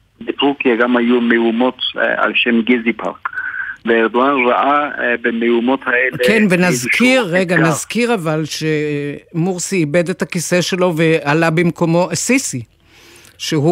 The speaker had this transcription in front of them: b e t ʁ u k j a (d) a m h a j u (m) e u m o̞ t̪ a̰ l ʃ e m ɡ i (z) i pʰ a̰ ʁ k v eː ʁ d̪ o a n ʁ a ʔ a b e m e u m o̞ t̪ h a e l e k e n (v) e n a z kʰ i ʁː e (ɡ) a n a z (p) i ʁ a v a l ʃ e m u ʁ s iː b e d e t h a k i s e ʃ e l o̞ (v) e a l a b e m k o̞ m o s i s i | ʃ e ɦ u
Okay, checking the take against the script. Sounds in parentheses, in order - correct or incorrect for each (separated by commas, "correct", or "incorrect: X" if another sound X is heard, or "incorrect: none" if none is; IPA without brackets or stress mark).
incorrect: ɡ, correct, correct, correct, correct, incorrect: k, correct